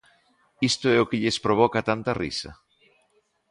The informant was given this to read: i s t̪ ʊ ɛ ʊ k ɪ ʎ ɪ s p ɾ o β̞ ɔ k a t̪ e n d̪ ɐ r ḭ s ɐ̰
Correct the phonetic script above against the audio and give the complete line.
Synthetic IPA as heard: i s t̪ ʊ ɛ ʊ k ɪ ʎ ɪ s p ɾ o β̞ ɔ k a t̪ a n t̪ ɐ r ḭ s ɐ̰